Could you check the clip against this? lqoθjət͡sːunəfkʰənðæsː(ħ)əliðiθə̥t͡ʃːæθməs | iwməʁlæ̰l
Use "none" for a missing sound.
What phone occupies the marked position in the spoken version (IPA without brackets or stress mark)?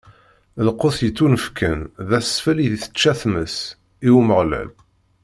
f